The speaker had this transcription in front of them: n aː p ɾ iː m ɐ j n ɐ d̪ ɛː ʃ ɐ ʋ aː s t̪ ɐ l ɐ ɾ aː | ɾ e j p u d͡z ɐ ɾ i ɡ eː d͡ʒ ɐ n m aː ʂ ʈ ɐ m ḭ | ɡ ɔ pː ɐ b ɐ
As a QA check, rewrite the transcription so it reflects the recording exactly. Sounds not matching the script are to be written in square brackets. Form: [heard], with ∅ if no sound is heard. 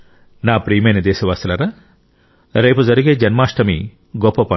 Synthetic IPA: n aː p ɾ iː m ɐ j n ɐ d̪ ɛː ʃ ɐ ʋ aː s t̪ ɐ l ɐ ɾ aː | ɾ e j p u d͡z ɐ ɾ i ɡ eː d͡ʒ ɐ n m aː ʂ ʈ ɐ m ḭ | ɡ ɔ pː ɐ [p] ɐ